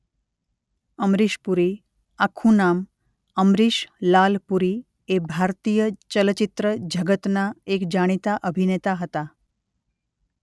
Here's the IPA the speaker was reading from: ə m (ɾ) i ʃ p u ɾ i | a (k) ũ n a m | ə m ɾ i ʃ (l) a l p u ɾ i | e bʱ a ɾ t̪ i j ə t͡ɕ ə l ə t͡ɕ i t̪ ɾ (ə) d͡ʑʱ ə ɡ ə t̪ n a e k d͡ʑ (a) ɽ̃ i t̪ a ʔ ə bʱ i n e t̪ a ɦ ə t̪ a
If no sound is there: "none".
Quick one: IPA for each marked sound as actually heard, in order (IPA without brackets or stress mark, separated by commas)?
ɾ, kʰ, l, ə, a